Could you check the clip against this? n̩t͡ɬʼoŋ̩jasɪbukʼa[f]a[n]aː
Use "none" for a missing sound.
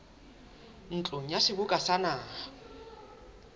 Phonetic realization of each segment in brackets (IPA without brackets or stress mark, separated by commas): s, n